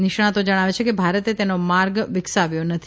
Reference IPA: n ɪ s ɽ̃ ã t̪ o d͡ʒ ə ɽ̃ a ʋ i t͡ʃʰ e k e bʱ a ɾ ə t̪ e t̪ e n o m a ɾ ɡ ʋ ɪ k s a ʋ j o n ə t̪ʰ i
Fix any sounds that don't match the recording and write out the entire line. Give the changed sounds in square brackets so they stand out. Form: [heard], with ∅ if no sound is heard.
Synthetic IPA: n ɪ [ʃ] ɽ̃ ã t̪ o d͡ʒ ə ɽ̃ a ʋ [e] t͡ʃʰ e k e bʱ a ɾ ə t̪ e t̪ e n o m a ɾ ɡ ʋ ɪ k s a ʋ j o n ə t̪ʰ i